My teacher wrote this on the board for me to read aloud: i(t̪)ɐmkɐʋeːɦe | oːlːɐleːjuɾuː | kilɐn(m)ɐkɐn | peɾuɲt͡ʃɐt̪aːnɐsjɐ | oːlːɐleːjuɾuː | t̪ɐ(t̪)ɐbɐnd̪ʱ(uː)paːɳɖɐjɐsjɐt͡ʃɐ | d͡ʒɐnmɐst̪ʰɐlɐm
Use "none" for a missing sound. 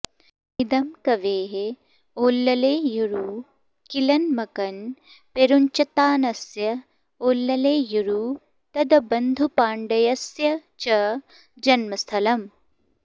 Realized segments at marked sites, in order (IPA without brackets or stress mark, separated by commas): d̪, m, d̪, u